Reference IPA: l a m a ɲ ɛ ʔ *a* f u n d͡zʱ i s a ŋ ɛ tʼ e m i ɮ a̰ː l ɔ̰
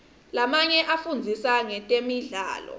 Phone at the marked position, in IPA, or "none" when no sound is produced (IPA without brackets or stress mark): a